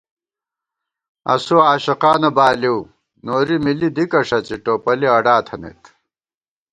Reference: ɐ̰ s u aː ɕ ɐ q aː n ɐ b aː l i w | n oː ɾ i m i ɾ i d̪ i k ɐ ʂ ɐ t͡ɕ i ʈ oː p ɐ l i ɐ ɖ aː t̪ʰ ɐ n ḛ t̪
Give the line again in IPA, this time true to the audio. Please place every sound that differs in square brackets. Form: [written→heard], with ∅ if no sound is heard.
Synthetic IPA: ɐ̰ s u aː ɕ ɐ q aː n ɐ b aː l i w | n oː ɾ i m i [ɾ→l] i d̪ i k ɐ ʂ ɐ t͡ɕ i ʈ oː p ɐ l i ɐ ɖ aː t̪ʰ ɐ n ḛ t̪